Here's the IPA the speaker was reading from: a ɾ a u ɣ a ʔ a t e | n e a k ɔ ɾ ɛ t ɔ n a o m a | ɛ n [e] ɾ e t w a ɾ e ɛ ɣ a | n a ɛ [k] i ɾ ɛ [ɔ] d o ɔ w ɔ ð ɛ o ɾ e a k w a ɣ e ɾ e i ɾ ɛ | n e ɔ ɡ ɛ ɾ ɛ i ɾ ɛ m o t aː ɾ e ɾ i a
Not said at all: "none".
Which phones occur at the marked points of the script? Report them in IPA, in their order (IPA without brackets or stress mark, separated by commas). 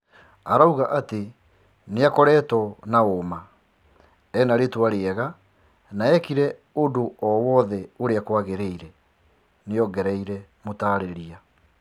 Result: a, k, o